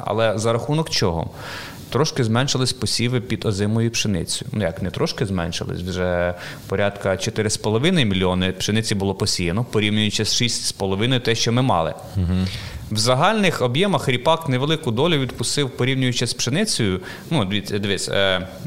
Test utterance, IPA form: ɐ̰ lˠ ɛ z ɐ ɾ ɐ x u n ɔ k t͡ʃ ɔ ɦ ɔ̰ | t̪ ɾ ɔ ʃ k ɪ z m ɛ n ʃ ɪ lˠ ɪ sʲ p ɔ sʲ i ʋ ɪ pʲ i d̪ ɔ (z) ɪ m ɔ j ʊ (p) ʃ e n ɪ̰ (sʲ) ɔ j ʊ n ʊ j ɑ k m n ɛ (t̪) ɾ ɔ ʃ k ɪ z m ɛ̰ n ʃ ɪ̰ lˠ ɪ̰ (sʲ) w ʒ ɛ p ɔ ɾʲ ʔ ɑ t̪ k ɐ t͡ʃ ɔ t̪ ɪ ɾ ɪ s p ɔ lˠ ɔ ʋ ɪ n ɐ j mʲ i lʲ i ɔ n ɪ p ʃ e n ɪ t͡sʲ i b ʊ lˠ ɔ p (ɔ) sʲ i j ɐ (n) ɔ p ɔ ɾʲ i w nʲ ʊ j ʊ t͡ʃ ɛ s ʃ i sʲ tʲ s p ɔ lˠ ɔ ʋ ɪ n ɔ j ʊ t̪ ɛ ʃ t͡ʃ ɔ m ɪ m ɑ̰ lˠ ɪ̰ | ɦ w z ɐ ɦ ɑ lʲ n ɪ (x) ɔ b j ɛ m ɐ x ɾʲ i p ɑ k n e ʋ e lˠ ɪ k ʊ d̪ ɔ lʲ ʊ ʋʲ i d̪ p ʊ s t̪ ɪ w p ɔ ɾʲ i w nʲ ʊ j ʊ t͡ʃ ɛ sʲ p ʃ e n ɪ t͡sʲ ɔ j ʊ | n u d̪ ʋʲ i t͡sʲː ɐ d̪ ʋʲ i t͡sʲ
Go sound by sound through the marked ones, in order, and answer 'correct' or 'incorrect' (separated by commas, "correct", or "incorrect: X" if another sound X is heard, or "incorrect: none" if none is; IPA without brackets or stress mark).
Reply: correct, correct, incorrect: t͡sʲ, correct, correct, correct, correct, correct